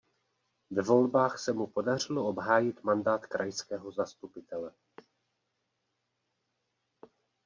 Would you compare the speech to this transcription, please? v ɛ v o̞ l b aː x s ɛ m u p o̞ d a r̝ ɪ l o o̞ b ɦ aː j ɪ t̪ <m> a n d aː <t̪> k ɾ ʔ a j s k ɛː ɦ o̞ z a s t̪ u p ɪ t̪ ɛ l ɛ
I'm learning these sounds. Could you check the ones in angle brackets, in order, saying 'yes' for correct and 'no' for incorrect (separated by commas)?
yes, yes